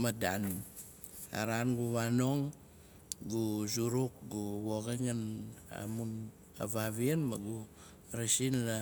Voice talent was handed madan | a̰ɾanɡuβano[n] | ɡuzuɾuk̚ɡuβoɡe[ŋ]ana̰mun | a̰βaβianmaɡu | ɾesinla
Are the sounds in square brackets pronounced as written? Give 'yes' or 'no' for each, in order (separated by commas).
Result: no, yes